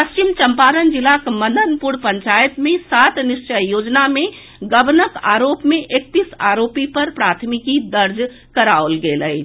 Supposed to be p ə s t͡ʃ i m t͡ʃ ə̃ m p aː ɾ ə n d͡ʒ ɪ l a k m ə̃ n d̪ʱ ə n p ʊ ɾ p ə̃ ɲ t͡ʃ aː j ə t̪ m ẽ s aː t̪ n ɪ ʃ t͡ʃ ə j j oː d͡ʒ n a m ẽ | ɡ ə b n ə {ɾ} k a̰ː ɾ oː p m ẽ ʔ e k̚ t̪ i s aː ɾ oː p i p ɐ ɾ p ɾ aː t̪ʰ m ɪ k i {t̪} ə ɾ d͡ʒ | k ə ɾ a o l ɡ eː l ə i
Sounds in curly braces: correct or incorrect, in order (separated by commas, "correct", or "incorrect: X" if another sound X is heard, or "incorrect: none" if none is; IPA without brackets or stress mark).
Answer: incorrect: none, incorrect: d̪